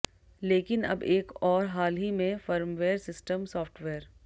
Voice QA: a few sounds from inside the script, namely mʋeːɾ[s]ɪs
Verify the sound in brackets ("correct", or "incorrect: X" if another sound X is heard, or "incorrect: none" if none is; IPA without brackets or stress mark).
correct